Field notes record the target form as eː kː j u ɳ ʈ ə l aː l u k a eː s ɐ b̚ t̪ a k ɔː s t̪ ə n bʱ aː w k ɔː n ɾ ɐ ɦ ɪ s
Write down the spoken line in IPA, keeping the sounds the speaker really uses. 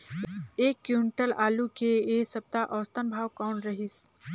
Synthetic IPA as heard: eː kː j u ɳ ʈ ə l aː l u k e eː s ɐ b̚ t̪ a ʔ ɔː s t̪ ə n bʱ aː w k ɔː n ɾ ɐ ɦ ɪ s